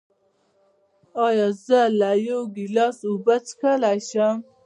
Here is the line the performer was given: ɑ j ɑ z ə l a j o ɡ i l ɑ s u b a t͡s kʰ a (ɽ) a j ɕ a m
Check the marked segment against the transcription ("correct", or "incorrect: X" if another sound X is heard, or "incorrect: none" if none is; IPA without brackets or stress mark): incorrect: l